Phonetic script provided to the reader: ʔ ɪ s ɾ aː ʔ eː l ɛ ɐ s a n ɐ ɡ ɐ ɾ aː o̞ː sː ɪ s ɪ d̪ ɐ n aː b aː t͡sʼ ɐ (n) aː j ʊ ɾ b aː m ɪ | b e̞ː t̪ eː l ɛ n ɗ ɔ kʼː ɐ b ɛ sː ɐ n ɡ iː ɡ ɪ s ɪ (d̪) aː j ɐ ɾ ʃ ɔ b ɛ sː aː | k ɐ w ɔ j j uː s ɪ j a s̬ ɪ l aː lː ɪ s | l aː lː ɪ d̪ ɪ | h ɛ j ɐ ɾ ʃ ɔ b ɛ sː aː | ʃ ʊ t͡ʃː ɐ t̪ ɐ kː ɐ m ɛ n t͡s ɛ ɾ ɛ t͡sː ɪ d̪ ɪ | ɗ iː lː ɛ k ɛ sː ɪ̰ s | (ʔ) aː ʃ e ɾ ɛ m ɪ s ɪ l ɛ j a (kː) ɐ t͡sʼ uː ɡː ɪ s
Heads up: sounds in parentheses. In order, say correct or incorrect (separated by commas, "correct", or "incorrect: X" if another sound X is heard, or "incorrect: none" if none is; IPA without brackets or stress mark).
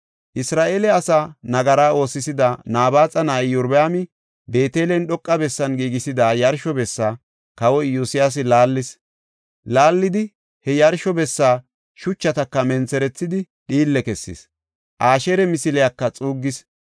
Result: correct, correct, correct, correct